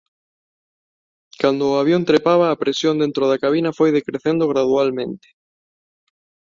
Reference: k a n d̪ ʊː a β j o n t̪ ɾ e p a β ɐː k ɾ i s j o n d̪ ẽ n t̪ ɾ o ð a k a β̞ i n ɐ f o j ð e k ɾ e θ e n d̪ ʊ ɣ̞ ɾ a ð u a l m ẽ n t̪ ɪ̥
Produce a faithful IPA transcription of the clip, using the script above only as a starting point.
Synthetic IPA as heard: k a n d̪ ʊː a β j o n t̪ ɾ e p a β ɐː p ɾ e s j o n d̪ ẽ n t̪ ɾ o ð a k a β̞ i n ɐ f o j ð e k ɾ e θ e n d̪ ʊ ɣ̞ ɾ a ð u a l m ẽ n t̪ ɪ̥